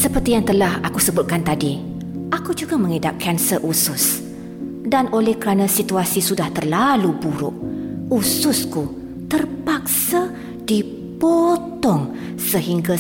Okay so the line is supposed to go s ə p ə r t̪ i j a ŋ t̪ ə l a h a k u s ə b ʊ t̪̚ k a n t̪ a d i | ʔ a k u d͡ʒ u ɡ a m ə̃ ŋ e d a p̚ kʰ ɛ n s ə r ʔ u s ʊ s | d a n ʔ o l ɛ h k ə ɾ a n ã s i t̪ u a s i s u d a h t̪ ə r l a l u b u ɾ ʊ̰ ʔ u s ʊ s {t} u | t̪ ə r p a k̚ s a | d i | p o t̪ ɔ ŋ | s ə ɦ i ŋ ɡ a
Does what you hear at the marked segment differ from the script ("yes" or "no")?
yes